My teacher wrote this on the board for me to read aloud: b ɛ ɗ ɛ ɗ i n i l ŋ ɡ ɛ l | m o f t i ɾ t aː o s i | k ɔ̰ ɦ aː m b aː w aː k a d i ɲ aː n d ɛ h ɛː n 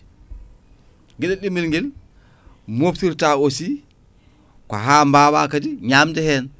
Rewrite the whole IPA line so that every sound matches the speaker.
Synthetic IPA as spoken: ɡ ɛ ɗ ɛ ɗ i m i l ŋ ɡ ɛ l | m o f t i ɾ t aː o s i | k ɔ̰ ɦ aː m b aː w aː k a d i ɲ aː m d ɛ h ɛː n